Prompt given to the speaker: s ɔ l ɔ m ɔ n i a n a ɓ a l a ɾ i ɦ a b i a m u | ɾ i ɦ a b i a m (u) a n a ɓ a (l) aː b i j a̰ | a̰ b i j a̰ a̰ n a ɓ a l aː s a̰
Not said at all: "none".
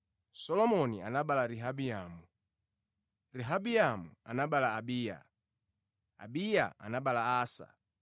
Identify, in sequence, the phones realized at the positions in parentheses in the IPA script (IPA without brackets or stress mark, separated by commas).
u, l